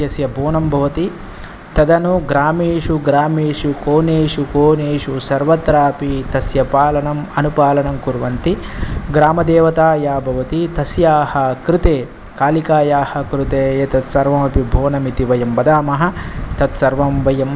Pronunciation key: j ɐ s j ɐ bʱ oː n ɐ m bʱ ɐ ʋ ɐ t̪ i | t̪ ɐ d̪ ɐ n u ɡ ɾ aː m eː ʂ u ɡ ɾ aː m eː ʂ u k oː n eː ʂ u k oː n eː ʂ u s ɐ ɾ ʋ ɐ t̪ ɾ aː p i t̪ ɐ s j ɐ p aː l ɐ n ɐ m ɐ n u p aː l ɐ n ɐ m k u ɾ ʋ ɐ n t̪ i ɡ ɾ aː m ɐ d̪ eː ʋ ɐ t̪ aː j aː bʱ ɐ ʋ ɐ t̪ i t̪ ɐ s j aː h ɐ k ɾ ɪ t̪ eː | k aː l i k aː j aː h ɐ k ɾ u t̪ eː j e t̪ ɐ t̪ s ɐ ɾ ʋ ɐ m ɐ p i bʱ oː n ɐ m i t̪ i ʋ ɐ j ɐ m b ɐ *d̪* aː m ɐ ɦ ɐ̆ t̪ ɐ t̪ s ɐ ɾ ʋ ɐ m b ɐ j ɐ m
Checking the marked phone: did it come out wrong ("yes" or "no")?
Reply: no